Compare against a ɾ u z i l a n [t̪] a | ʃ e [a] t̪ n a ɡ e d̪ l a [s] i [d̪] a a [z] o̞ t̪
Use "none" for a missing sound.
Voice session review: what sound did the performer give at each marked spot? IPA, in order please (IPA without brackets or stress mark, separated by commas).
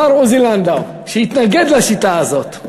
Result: d̪, i, ʃ, t̪, z